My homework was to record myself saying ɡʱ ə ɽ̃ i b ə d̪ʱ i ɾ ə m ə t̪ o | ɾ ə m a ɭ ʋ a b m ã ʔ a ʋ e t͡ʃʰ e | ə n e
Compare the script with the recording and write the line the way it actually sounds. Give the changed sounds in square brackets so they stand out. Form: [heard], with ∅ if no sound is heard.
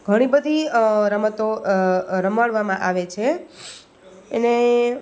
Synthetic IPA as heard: ɡʱ ə ɽ̃ i b ə d̪ʱ i ɾ ə m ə t̪ o | ɾ ə m a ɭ ʋ a [∅] m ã ʔ a ʋ e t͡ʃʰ e | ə n e